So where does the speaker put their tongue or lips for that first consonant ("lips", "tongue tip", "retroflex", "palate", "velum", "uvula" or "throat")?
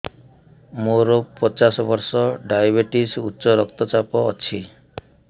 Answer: lips